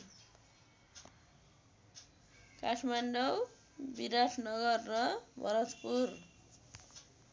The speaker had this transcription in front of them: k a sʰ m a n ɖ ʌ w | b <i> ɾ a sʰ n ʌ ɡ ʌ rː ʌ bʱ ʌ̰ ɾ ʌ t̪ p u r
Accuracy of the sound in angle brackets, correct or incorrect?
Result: correct